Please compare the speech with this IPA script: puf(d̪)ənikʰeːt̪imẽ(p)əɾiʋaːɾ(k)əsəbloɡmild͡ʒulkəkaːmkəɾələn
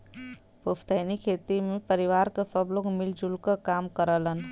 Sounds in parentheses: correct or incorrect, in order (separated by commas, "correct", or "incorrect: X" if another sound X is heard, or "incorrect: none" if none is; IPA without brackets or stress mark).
incorrect: t̪, correct, correct